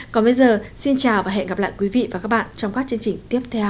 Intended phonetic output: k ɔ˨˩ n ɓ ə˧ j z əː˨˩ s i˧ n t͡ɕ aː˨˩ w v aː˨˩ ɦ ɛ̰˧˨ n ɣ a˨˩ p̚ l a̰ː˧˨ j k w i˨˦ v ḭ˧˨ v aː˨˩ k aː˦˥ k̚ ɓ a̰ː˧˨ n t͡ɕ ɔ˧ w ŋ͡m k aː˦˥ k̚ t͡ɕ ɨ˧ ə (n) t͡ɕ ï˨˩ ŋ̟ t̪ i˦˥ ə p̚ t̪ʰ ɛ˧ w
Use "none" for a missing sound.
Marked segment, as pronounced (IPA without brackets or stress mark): ŋ